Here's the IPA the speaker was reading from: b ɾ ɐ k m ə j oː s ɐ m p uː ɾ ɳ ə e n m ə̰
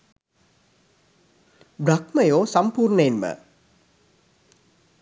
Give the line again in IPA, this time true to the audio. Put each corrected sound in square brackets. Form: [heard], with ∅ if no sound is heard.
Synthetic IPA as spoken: b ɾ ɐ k m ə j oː s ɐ m p uː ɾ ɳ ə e n m ə̰